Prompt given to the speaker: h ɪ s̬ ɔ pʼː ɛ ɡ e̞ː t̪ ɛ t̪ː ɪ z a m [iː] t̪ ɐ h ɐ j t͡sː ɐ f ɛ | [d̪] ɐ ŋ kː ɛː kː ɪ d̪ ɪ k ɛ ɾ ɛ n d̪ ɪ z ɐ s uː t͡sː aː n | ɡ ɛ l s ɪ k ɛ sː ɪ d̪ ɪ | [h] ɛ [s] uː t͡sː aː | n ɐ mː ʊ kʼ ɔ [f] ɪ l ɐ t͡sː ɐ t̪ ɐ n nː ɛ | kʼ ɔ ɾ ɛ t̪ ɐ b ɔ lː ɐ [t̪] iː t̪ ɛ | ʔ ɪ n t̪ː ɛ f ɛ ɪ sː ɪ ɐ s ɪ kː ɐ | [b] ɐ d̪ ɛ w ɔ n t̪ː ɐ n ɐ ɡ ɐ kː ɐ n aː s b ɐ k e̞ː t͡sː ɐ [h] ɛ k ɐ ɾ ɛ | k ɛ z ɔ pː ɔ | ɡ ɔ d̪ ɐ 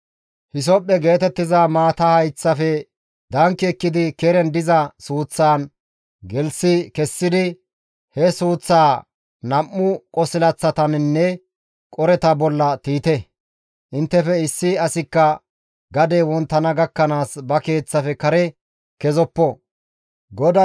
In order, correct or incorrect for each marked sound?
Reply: incorrect, correct, correct, correct, incorrect, correct, incorrect, incorrect

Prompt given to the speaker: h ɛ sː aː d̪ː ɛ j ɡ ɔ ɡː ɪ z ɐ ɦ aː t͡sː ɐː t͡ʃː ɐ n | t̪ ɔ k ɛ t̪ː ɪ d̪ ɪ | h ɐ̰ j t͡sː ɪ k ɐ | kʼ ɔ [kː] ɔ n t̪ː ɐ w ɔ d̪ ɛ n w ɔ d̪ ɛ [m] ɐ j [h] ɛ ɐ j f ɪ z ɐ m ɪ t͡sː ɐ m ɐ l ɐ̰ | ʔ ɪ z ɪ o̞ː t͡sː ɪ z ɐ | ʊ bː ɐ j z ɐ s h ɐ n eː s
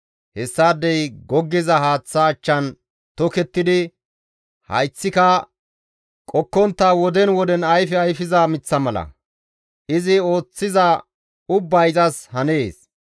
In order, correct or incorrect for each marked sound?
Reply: correct, incorrect, incorrect

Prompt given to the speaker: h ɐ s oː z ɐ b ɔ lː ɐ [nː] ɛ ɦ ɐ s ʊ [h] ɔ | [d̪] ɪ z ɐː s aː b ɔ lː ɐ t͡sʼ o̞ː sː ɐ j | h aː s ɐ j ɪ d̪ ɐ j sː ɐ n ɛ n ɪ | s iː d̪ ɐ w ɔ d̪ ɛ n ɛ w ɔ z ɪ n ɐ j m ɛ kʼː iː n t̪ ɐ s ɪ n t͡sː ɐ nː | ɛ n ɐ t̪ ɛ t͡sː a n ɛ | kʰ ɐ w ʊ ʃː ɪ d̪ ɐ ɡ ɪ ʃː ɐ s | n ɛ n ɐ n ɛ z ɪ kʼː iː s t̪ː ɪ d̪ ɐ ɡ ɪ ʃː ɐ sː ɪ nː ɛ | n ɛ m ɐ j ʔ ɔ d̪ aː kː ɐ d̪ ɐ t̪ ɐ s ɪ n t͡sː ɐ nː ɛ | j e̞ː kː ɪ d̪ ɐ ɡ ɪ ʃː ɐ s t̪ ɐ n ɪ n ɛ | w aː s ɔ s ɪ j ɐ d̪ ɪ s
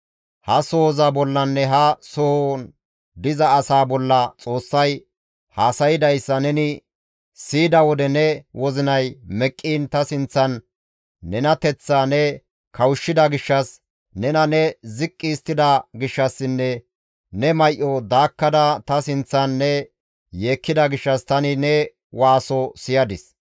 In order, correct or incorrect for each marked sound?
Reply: correct, correct, correct

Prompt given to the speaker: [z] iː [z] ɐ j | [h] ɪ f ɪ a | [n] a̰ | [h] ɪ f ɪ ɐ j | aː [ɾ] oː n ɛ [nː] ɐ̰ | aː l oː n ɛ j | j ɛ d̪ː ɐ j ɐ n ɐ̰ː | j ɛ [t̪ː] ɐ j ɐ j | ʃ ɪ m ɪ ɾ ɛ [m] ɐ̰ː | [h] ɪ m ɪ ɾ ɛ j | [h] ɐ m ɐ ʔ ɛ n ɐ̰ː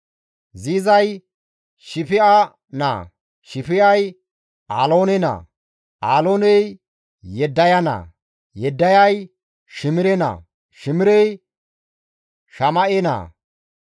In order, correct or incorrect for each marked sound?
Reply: correct, correct, incorrect, correct, incorrect, incorrect, incorrect, incorrect, incorrect, incorrect, incorrect

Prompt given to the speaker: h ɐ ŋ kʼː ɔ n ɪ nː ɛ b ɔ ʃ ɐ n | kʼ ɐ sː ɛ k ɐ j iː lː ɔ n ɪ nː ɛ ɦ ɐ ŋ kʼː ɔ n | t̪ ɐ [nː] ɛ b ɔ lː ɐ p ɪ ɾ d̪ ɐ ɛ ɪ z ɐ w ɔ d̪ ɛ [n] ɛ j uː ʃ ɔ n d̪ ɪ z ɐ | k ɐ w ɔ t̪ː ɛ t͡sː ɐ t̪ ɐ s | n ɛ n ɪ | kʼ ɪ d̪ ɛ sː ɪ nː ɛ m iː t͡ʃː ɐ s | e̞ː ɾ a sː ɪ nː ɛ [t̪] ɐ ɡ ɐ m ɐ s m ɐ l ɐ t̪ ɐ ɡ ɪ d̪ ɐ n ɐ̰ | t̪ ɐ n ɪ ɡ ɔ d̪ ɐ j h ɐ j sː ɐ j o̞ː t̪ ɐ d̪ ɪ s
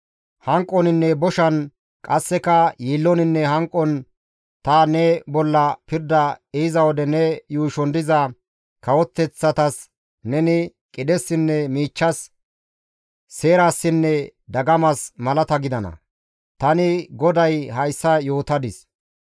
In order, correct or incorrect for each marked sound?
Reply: incorrect, correct, incorrect

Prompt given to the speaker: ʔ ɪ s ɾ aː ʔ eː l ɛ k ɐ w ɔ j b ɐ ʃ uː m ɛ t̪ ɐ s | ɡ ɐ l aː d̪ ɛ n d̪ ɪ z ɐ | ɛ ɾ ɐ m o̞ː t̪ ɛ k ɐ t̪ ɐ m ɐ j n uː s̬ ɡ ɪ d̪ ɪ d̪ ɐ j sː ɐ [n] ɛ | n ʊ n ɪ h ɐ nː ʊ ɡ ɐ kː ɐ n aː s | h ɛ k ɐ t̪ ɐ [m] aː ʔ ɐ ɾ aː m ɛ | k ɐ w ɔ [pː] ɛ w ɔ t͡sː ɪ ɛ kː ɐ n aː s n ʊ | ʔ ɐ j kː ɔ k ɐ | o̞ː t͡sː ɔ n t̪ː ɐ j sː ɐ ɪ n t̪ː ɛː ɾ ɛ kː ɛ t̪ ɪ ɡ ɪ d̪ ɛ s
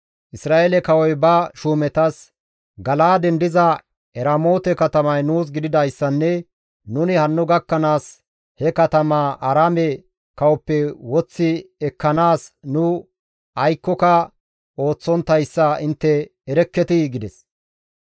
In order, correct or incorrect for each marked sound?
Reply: incorrect, correct, correct

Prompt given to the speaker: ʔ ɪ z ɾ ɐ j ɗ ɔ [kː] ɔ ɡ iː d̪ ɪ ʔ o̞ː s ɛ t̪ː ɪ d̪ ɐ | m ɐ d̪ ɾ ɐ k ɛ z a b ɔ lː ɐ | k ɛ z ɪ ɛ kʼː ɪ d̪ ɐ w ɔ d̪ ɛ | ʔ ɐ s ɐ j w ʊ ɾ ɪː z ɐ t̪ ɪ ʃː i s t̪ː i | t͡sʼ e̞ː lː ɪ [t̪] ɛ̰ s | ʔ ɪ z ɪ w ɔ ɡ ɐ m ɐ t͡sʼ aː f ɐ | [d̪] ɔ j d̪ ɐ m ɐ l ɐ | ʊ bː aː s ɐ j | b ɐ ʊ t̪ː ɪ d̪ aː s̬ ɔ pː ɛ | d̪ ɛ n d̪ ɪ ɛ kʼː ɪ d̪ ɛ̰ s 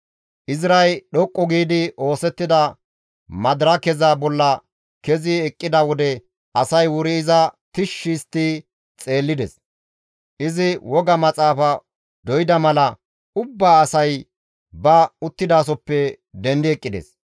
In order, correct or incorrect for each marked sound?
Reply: incorrect, incorrect, correct

